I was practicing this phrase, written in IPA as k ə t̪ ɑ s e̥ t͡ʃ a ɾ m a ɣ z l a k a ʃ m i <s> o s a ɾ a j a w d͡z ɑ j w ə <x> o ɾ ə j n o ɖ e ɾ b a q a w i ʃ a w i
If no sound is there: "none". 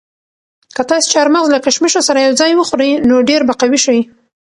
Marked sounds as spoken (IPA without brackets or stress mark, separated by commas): ʃ, x